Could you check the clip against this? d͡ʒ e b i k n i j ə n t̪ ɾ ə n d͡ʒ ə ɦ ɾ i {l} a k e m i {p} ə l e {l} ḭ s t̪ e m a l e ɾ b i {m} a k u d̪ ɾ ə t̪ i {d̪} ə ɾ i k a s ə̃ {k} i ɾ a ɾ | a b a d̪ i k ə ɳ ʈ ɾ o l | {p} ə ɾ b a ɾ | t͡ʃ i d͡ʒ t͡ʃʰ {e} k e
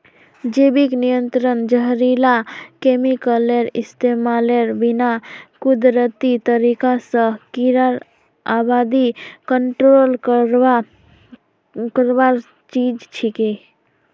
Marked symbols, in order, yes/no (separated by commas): yes, no, no, no, no, yes, no, no